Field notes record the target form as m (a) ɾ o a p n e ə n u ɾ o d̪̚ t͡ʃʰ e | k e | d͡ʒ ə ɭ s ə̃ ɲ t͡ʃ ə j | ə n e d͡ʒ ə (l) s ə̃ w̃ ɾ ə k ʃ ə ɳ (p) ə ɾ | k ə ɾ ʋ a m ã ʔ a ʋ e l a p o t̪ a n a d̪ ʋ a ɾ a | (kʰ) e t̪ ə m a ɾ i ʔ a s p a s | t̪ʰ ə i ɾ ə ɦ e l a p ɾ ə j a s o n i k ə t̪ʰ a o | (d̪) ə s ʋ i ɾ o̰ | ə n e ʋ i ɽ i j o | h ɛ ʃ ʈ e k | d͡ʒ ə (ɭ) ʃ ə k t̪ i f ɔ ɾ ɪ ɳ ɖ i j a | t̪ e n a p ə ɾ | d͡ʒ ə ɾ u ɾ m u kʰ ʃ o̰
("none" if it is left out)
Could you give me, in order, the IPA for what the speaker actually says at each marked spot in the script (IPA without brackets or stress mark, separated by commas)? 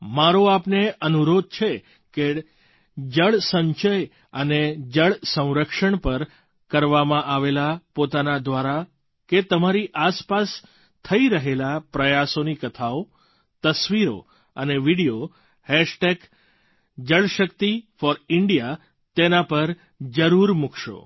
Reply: a, ɭ, p, k, t̪, ɭ